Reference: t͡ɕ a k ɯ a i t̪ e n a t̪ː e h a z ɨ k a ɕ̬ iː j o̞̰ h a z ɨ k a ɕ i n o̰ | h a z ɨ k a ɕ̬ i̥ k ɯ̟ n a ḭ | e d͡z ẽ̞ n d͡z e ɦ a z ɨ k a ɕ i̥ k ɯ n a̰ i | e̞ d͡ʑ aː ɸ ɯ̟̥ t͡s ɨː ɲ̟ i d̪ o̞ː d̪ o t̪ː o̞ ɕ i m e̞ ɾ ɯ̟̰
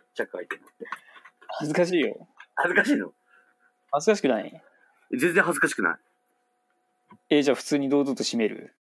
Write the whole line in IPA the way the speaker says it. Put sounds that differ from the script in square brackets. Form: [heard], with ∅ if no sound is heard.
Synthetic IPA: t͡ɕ a k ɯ a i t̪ e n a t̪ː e h a z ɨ k a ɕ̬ iː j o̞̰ h a z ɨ k a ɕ [iː] n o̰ | h a z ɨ k a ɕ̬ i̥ k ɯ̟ n a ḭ | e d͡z ẽ̞ n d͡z [ẽ] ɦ a z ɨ k a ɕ i̥ k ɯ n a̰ i | e̞ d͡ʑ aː ɸ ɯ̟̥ t͡s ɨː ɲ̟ i d̪ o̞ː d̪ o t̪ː o̞ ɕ i m e̞ ɾ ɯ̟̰